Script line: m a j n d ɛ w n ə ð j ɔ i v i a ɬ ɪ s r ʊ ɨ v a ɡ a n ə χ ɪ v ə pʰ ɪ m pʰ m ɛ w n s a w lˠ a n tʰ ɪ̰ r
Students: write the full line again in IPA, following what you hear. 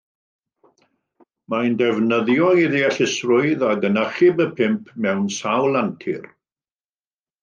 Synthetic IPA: m a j n d ɛ v n ə ð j ɔ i ð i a ɬ ɪ s r ʊ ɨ ð a ɡ ə n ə χ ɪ b ə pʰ ɪ m pʰ m ɛ w n s a w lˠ a n tʰ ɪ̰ r